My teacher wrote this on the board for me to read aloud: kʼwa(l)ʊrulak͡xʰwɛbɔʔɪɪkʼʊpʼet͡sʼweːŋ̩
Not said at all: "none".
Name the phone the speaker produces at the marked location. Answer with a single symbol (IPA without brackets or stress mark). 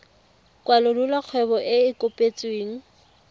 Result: l